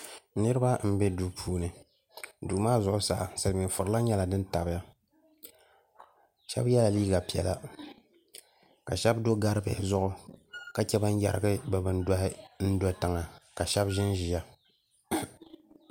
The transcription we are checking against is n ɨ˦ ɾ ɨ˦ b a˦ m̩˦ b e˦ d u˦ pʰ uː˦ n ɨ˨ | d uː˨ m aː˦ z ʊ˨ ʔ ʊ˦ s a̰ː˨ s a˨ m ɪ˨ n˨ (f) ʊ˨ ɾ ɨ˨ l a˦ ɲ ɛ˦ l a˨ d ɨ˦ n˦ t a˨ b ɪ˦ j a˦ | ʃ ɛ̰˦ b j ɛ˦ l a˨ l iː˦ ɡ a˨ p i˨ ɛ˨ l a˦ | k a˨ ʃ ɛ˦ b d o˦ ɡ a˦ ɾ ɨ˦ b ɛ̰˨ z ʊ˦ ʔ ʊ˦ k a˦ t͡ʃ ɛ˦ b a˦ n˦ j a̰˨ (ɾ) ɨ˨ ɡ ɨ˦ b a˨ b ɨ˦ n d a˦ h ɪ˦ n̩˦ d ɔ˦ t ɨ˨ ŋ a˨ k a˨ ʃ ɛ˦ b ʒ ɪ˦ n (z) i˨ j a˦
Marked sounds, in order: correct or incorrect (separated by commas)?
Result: correct, correct, incorrect